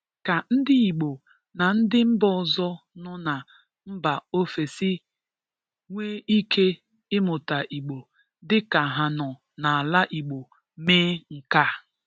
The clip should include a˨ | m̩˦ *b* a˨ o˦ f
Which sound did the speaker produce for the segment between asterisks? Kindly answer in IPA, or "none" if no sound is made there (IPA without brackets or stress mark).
b